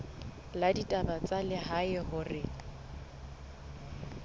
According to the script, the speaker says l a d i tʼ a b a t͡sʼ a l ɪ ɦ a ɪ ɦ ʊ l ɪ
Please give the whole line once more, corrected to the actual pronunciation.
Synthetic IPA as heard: l a d i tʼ a b a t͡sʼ a l ɪ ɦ a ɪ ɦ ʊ r ɪ